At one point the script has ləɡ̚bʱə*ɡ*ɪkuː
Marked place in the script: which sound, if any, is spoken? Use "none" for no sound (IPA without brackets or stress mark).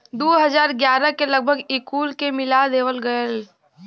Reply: ɡ